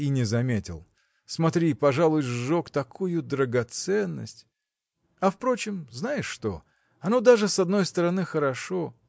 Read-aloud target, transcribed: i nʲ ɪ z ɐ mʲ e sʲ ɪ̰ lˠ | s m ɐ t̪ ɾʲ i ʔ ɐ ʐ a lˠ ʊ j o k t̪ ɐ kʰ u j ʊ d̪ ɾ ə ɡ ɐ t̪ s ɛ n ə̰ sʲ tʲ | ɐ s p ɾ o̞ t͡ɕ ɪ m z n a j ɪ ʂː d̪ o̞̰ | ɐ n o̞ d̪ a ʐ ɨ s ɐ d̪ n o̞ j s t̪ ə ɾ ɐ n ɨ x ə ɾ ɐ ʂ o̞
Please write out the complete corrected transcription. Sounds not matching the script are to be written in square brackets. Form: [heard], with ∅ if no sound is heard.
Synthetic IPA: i nʲ ɪ z ɐ mʲ e [tʲ] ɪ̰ lˠ | s m ɐ t̪ ɾʲ i [p] ɐ ʐ a lˠ ʊ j o k t̪ ɐ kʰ u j ʊ d̪ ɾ ə ɡ ɐ t̪ s ɛ [nː] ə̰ sʲ tʲ | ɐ [f] p ɾ o̞ t͡ɕ ɪ m z n a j ɪ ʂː [t̪] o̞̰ | ɐ n o̞ d̪ a ʐ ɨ s ɐ d̪ n o̞ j s t̪ ə ɾ ɐ n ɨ x ə ɾ ɐ ʂ o̞